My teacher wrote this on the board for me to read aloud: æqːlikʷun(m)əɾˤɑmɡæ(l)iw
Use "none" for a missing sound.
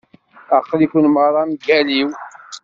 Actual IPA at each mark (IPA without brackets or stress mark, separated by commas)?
m, l